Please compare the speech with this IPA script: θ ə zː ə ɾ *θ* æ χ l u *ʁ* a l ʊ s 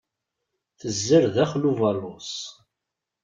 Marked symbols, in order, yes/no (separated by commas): no, no